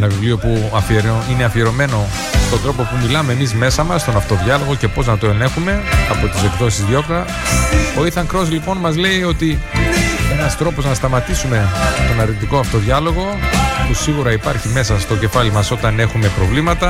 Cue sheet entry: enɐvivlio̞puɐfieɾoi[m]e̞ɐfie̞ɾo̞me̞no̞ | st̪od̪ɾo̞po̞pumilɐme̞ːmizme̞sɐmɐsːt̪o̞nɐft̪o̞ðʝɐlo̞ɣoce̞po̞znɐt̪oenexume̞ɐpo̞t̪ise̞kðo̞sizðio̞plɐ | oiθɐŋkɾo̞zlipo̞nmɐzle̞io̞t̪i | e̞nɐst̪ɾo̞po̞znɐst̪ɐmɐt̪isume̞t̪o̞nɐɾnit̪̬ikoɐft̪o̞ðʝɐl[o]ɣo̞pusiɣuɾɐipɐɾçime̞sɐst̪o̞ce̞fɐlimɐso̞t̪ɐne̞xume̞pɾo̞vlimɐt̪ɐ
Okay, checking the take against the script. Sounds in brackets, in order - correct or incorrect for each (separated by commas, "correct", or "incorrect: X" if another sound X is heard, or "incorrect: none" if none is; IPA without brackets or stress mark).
incorrect: n, correct